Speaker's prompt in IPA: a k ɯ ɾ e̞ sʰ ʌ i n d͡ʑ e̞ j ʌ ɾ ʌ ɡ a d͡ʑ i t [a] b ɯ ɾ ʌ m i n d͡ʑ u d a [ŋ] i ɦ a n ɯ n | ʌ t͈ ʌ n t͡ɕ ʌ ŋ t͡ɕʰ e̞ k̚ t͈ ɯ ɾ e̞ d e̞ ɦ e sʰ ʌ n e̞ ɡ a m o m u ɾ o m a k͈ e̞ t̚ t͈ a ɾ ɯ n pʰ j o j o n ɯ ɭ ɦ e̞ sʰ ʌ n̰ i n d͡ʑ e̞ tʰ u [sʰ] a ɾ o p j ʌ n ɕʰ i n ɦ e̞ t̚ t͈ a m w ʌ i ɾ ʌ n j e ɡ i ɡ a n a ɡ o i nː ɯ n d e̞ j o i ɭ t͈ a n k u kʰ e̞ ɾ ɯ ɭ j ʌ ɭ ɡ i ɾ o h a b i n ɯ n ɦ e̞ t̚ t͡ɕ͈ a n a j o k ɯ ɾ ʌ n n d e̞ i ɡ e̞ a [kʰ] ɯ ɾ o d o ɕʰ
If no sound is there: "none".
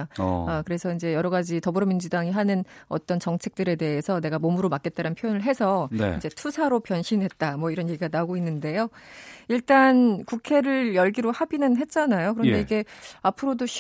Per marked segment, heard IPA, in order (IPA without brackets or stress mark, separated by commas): ʌ, ŋ, sʰ, pʰ